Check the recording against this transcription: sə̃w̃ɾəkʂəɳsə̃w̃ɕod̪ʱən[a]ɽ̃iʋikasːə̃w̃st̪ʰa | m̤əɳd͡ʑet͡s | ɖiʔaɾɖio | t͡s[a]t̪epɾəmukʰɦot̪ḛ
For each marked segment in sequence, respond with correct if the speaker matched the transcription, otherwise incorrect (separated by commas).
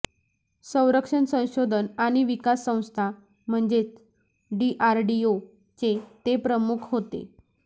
correct, incorrect